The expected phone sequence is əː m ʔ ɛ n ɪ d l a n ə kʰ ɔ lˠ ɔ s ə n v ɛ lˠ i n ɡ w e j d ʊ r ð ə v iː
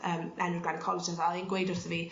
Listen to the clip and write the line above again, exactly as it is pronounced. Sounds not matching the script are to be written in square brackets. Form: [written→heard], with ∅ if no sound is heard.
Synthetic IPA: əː m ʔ ɛ n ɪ [d→ɡ] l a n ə kʰ ɔ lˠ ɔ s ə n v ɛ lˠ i n ɡ w e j d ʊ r [ð→θ] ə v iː